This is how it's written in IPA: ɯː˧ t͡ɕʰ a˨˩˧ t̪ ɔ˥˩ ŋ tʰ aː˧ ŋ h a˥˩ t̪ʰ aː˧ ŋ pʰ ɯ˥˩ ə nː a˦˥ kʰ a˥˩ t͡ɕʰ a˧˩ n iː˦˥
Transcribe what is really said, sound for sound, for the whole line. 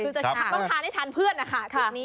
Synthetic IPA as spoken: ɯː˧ t͡ɕ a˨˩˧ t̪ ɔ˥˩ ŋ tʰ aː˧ n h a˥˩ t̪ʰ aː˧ n pʰ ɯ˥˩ ə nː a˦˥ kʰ a˥˩ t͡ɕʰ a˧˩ n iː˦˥